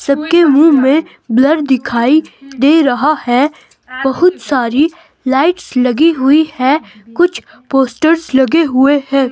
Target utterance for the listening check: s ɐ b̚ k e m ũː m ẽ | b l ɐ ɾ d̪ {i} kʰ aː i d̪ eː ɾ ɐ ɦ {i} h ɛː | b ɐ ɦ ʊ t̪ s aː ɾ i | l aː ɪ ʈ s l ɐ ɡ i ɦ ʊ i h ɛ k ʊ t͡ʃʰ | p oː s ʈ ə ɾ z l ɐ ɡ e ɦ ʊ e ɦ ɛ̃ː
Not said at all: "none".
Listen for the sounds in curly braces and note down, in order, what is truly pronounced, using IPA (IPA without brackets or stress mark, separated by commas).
ɪ, a